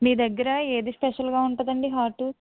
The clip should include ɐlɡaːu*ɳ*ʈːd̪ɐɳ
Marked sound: correct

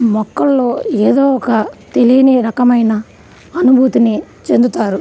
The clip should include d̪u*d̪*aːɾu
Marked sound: incorrect: t̪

